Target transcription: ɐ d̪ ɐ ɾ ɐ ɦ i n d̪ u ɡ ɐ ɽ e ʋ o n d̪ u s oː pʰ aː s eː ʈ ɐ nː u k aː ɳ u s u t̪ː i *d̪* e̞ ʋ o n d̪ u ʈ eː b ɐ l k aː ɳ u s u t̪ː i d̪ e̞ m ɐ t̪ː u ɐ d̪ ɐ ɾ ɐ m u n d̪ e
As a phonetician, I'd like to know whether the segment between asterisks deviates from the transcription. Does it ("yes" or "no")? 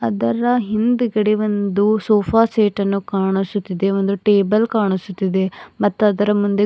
no